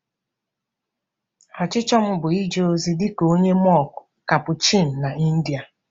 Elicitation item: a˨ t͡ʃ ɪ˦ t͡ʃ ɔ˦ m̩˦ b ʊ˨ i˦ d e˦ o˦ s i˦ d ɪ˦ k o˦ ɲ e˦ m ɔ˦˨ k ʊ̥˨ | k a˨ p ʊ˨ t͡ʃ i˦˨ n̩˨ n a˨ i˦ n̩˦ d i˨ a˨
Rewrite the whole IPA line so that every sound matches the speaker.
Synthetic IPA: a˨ t͡ʃ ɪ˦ t͡ʃ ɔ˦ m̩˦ b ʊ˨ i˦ d͡ʒ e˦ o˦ z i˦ d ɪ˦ k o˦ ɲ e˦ m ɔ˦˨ k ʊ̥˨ | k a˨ p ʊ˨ t͡ʃ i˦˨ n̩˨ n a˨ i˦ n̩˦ d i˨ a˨